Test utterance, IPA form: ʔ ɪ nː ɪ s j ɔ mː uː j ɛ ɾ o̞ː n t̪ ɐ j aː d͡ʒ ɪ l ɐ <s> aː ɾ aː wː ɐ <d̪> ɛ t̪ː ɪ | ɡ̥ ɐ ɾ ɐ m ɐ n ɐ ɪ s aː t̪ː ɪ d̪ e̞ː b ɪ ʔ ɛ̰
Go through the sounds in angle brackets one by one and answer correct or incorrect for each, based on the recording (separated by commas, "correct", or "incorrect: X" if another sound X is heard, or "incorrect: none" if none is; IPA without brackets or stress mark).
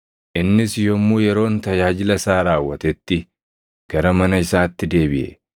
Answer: correct, incorrect: t̪